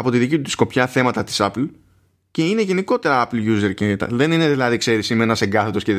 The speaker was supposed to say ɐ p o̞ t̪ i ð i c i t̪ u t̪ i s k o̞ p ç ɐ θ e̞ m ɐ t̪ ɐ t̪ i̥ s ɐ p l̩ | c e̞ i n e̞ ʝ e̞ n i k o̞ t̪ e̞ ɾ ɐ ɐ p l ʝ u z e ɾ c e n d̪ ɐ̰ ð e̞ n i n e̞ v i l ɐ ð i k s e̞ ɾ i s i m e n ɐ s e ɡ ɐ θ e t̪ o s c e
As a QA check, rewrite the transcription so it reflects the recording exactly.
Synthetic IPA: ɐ p o̞ t̪ i ð i c i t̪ u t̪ i s k o̞ p ç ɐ θ e̞ m ɐ t̪ ɐ t̪ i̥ s ɐ p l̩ | c e̞ i n e̞ ʝ e̞ n i k o̞ t̪ e̞ ɾ ɐ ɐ p l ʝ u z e ɾ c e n t̪ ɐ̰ ð e̞ n i n e̞ ð i l ɐ ð i k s e̞ ɾ i s i m e n ɐ s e ɡ ɐ θ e t̪ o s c e